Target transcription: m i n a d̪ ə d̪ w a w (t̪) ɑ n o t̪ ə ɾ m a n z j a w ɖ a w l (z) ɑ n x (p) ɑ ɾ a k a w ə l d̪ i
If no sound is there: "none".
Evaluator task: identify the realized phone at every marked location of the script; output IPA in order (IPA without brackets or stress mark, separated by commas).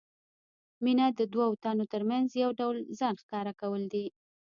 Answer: t̪, z, k